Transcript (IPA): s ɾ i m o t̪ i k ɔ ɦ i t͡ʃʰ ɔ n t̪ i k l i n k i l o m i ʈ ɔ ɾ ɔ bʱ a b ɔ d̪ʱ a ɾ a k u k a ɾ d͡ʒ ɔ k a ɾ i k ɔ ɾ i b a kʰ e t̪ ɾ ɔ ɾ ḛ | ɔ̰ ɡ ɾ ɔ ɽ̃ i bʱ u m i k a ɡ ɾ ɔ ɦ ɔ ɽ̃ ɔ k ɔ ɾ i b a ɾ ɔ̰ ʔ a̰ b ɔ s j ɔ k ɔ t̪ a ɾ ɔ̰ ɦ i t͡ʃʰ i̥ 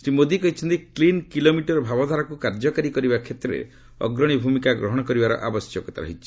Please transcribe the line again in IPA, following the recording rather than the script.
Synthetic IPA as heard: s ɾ i m o d̪ i k ɔ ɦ i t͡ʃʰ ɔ n t̪ i k l i n k i l o m i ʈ ɔ ɾ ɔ bʱ a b ɔ d̪ʱ a ɾ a k u k a ɾ d͡ʒ ɔ k a ɾ i k ɔ ɾ i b a kʰ e t̪ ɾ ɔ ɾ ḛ | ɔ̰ ɡ ɾ ɔ ɽ̃ i bʱ u m i k a ɡ ɾ ɔ ɦ ɔ ɽ̃ ɔ k ɔ ɾ i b a ɾ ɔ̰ ʔ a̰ b ɔ s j ɔ k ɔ t̪ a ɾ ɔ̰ ɦ i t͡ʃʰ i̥